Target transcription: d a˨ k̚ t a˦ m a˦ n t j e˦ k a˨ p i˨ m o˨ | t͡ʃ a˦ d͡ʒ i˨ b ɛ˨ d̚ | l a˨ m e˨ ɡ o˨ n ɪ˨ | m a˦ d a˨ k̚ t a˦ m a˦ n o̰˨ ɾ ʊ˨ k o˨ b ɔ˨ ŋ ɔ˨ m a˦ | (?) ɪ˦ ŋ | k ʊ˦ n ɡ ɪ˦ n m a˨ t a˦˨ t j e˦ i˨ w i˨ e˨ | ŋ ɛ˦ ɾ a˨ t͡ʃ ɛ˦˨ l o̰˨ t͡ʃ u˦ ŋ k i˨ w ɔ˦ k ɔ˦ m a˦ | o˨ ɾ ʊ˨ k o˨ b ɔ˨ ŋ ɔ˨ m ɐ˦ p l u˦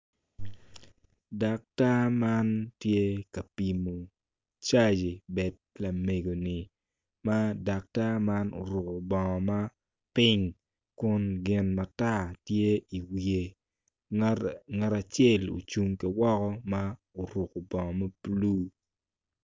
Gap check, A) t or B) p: B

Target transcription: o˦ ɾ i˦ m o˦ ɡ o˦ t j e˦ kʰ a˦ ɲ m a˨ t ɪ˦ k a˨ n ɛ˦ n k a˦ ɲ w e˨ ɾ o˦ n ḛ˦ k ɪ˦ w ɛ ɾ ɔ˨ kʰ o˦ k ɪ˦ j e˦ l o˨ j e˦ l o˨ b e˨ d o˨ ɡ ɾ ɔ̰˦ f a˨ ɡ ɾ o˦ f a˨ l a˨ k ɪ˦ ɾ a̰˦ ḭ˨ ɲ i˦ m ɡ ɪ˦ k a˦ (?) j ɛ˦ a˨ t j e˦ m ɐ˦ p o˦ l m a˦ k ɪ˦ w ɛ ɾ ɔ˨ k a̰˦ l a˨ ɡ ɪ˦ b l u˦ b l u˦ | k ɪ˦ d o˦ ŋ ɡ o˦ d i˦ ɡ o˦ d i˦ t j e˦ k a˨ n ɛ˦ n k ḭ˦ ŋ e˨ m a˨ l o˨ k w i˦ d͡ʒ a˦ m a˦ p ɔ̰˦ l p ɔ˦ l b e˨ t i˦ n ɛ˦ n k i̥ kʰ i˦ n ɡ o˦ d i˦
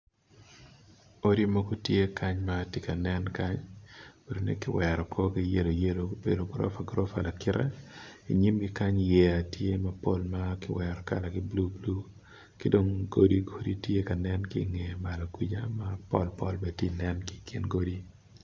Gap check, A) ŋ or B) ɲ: B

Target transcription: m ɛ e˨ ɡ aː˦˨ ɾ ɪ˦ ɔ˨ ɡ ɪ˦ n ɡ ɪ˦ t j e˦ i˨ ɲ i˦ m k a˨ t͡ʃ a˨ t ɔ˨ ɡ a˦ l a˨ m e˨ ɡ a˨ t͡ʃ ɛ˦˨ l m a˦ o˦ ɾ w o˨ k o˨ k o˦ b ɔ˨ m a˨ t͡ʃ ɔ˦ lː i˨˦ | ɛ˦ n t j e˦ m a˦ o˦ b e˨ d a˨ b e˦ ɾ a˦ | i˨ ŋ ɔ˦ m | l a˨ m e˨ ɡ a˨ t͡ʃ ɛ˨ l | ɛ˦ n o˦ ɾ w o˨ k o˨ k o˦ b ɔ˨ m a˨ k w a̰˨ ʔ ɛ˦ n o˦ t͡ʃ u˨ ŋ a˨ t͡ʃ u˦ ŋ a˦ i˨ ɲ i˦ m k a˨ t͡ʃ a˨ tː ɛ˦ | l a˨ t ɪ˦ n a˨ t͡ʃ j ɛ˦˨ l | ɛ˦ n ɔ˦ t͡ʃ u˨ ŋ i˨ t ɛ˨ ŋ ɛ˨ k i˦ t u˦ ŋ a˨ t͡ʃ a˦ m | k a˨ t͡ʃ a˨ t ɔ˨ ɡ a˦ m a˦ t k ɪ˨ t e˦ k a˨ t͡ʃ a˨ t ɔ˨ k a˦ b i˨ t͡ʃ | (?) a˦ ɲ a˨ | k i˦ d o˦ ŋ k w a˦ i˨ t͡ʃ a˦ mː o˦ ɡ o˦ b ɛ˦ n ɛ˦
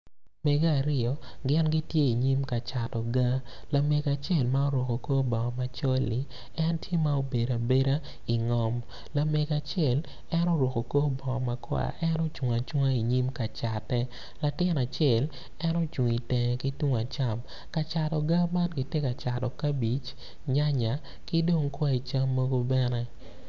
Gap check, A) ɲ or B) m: A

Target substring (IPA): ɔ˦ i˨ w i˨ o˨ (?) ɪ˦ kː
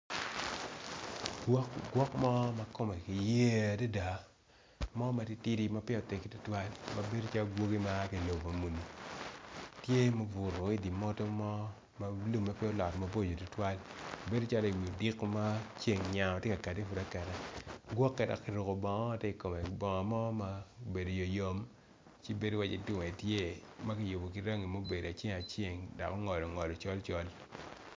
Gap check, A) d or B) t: A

